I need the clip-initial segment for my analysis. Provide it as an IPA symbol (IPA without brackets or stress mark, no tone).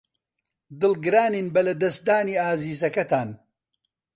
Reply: d̪